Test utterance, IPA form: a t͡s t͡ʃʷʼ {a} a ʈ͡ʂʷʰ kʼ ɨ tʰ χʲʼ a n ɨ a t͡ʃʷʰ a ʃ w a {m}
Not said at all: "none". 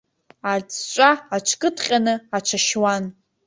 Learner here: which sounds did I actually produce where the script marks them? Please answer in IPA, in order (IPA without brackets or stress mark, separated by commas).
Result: a, n